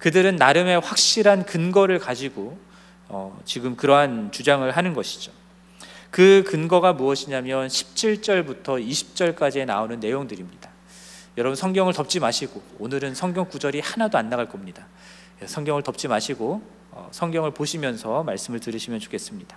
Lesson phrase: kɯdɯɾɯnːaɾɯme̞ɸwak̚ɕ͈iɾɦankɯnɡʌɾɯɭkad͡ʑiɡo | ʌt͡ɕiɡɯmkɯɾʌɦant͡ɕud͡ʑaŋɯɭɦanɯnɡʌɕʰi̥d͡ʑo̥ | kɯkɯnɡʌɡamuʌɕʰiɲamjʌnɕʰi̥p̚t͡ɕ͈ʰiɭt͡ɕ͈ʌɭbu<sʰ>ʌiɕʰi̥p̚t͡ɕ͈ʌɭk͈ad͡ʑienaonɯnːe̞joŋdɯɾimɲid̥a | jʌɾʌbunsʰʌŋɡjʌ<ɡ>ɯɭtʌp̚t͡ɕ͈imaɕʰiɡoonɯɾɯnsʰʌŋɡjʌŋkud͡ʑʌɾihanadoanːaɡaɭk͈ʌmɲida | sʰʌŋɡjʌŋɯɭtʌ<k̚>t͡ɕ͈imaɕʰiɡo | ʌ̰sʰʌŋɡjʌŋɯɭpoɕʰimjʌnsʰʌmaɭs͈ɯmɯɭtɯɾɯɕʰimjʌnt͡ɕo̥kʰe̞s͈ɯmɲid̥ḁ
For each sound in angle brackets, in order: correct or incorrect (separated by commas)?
incorrect, incorrect, incorrect